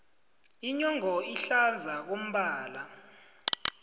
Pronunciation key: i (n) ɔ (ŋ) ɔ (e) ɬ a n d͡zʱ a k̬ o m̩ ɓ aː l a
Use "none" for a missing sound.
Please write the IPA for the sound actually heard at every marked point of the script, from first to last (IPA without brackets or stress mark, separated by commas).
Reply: ɲ, ŋ, i